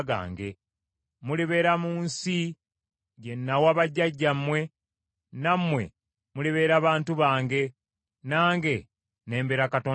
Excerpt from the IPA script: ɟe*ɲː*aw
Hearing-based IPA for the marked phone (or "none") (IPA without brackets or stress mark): nː